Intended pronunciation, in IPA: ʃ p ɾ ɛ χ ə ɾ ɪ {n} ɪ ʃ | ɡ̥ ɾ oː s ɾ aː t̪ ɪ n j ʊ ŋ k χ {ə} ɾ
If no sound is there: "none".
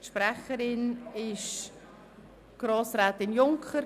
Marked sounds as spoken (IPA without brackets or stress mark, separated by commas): n, ə